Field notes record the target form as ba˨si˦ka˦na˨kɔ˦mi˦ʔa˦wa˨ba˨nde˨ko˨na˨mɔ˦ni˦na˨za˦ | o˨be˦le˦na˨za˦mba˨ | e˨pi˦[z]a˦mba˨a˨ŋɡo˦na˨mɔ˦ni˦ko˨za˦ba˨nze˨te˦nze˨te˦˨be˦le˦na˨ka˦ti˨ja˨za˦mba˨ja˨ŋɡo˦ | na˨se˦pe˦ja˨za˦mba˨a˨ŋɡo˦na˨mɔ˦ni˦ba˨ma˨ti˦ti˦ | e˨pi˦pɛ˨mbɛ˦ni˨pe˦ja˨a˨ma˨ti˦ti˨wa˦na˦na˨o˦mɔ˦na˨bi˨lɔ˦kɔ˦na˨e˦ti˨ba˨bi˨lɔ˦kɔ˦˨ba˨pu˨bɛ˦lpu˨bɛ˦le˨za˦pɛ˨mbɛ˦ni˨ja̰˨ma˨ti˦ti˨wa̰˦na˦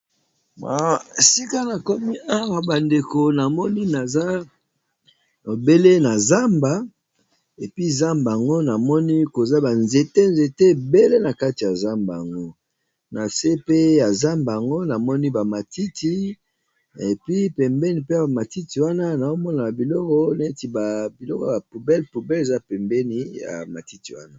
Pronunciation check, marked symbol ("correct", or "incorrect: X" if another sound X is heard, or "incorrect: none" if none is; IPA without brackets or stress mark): correct